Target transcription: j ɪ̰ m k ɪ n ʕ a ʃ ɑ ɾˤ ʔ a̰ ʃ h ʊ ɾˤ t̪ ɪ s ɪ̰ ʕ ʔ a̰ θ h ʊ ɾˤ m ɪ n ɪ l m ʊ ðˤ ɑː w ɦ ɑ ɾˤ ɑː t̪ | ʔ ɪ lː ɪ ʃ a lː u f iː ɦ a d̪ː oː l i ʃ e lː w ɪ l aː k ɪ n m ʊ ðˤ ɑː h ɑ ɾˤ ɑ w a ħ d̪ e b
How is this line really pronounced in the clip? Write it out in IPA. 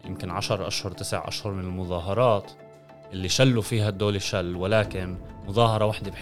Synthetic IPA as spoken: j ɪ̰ m k ɪ n ʕ a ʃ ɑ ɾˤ ʔ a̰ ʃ h ʊ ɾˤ t̪ ɪ s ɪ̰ ʕ ʔ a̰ ʃ h ʊ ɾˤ m ɪ n ɪ l m ʊ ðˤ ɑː ɦ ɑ ɾˤ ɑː t̪ | ʔ ɪ lː i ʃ a lː u f iː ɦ a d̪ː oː l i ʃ a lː w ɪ l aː k ɪ n m ʊ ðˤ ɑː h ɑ ɾˤ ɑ w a ħ d̪ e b